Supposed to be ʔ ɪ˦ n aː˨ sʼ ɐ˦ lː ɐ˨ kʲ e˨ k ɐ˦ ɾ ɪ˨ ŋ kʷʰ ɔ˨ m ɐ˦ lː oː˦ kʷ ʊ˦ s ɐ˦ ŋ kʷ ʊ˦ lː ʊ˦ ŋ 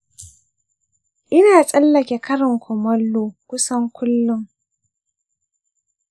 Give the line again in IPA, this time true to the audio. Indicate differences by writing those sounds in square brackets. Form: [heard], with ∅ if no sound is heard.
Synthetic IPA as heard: ʔ ɪ˦ n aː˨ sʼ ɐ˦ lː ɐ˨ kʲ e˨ k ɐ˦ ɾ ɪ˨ ŋ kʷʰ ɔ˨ m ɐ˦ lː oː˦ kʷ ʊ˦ s ɐ˦ ŋ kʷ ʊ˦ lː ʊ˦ ŋ

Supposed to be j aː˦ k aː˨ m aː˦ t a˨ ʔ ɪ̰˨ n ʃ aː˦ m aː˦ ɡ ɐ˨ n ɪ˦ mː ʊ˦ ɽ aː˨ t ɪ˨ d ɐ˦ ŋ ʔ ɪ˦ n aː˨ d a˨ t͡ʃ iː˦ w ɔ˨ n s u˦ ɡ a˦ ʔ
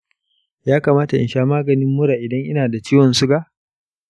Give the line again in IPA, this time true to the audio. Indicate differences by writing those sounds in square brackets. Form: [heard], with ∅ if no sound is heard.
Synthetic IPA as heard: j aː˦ k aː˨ m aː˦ t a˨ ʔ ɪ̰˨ n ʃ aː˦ m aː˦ ɡ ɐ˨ n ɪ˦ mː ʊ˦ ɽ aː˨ [ʔ] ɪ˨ d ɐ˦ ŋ ʔ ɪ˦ n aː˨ d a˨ t͡ʃ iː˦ w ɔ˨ n s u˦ ɡ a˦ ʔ

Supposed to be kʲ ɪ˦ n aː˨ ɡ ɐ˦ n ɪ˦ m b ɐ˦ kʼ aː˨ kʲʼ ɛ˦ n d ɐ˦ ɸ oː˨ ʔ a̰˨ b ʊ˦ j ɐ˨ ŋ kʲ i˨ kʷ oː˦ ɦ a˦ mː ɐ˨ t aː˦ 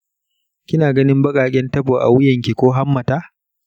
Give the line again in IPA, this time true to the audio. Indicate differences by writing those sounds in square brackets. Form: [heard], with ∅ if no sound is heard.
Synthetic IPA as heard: kʲ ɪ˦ n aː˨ ɡ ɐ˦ n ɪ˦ m b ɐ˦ kʼ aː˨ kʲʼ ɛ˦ n [t] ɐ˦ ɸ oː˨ ʔ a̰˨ [w] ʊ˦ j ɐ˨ ŋ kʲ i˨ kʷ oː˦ ɦ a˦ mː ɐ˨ t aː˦

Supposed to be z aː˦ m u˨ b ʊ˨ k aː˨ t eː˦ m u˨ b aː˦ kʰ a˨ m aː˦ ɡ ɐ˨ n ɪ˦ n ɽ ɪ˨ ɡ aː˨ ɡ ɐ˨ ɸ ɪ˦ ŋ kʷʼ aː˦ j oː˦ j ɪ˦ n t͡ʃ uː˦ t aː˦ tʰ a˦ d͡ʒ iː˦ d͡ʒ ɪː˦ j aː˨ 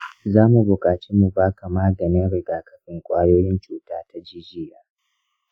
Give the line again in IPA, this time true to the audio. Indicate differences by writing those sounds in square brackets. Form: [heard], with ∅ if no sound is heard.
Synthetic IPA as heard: z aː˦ m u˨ b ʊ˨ [kʼ] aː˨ [t͡ʃ] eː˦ m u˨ b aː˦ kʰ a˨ m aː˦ ɡ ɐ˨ n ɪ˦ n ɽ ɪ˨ ɡ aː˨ [k] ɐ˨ ɸ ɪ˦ ŋ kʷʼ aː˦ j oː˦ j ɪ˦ n t͡ʃ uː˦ t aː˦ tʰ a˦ d͡ʒ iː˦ d͡ʒ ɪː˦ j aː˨

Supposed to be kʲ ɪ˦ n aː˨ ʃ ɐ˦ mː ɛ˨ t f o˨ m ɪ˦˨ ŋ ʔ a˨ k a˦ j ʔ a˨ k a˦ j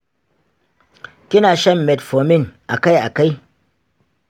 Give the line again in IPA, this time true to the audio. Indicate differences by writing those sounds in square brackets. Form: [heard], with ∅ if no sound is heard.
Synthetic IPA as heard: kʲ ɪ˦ n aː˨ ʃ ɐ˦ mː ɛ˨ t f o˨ m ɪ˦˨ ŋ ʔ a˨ k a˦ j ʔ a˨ k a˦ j

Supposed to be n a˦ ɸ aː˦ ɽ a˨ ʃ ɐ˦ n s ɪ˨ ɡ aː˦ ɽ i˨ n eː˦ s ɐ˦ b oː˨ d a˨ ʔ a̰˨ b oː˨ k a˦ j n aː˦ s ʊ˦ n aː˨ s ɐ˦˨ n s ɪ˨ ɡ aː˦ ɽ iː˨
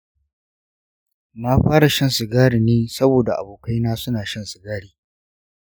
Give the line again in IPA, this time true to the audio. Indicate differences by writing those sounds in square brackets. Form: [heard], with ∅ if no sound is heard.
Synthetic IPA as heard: n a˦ ɸ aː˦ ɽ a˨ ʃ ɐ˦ n s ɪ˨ ɡ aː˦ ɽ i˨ n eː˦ s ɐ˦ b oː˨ d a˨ ʔ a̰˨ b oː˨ k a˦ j n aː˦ s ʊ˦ n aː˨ [ʃ] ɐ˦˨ n s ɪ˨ ɡ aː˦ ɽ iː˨

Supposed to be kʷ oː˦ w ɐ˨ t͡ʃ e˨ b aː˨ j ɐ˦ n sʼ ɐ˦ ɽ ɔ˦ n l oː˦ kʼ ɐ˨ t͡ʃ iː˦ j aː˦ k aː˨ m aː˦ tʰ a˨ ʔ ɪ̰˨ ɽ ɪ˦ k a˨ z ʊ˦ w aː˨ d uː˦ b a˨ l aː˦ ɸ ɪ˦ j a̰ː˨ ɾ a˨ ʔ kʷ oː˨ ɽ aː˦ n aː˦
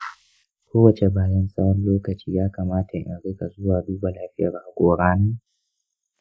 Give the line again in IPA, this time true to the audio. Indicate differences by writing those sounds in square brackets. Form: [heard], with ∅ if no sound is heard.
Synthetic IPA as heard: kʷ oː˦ w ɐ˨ t͡ʃ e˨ b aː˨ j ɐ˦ n sʼ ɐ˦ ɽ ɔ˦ n l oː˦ [k] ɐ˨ t͡ʃ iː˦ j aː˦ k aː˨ m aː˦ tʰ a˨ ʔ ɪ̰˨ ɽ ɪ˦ k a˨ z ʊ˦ w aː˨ d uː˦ b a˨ l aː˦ ɸ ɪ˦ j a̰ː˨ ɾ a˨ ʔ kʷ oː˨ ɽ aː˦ n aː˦

